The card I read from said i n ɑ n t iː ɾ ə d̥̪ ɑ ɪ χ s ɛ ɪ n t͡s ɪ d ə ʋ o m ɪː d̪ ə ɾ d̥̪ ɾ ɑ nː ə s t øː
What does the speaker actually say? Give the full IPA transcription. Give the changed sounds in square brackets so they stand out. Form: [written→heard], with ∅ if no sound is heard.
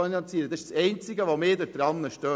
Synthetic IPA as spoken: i n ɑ n [t→t͡s] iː ɾ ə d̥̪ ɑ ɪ [χ→ʃ] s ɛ ɪ n t͡s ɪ [d→ɡ] ə ʋ o m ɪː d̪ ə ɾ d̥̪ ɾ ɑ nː ə [s→ʃ] t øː